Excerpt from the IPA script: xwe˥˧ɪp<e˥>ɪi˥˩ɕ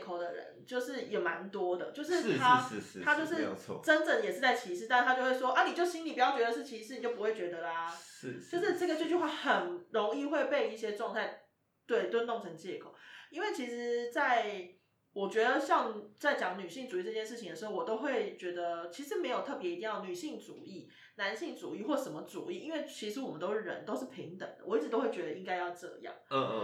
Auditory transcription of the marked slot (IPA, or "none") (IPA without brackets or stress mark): e˥˧